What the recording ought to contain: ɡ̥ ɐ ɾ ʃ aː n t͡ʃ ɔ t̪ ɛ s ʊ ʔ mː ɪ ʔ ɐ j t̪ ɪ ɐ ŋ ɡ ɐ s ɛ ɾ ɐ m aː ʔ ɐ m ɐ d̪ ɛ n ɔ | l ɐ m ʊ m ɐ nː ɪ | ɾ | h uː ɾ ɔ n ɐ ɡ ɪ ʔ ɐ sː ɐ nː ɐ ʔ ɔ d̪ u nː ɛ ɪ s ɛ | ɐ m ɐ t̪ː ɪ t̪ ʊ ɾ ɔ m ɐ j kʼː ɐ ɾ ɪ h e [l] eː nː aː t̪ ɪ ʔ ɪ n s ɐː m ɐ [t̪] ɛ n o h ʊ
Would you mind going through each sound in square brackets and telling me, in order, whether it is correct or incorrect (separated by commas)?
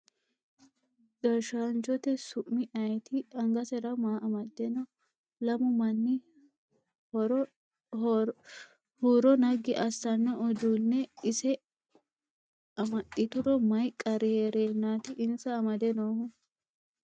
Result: incorrect, incorrect